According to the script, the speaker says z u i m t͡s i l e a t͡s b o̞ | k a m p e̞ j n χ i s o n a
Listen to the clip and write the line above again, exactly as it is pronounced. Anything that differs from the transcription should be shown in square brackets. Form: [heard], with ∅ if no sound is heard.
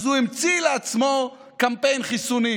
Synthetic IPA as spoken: z u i m t͡s i l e a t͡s [m] o̞ | k a m p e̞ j n χ i s [u] n [i]